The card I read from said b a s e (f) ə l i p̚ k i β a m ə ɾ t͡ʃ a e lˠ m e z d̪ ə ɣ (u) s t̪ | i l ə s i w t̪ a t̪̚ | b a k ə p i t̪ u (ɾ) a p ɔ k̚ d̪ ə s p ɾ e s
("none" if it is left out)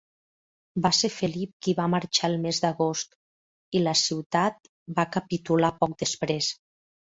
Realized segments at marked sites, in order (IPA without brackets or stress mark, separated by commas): f, o, l